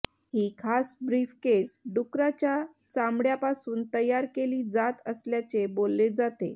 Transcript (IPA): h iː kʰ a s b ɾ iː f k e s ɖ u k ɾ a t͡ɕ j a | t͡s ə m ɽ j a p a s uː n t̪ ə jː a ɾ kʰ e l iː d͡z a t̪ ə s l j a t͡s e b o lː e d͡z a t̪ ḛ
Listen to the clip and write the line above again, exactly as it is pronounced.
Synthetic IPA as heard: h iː kʰ a s b ɾ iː f k e s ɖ u k ɾ a t͡ɕ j a | t͡s a m ɽ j a p a s uː n t̪ ə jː a ɾ k e l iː d͡z a t̪ ə s l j a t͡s e b o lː e d͡z a t̪ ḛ